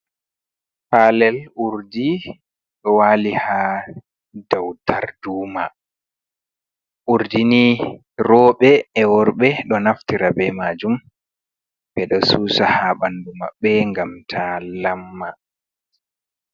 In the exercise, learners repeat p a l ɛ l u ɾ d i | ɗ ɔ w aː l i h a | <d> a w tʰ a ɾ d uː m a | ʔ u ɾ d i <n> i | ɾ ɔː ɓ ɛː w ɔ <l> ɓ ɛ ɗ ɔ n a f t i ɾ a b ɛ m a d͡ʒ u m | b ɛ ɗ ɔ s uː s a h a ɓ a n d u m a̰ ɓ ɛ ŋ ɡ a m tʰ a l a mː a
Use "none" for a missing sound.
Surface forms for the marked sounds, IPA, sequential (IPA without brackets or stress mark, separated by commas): d, n, ɾ